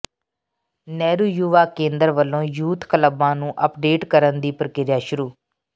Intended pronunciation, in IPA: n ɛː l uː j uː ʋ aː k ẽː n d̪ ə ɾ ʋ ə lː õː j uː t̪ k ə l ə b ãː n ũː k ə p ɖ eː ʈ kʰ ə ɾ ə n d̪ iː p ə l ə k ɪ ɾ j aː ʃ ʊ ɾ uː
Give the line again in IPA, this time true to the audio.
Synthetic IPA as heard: n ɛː ɾ uː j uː ʋ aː k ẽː n d̪ ə ɾ ʋ ə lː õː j uː t̪ k ə l ə b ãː n ũː ʔ ə p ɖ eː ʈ k ə ɾ ə n d̪ iː p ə ɾ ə k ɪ ɾ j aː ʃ ʊ ɾ uː